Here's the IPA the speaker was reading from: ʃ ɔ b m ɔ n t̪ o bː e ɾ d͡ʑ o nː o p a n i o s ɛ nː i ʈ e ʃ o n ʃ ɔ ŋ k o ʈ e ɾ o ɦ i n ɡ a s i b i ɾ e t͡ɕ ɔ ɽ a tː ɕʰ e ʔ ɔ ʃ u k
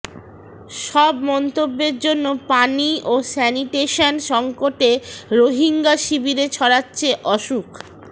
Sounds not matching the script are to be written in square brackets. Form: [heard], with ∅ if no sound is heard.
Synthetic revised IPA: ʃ ɔ b m ɔ n t̪ o bː e ɾ d͡ʑ o nː o p a n i o s ɛ [n] i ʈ e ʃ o n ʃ ɔ ŋ k o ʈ e ɾ o ɦ i [ŋ] ɡ a [ʃ] i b i ɾ e [t͡ɕʰ] ɔ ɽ a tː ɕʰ e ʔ ɔ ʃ u k